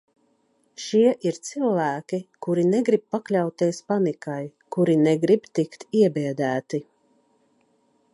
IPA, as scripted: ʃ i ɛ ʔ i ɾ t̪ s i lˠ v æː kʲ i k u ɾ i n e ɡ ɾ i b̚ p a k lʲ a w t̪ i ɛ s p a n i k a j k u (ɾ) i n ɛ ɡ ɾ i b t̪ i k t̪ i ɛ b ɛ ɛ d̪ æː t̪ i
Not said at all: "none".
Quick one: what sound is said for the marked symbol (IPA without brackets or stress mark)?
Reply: ɾ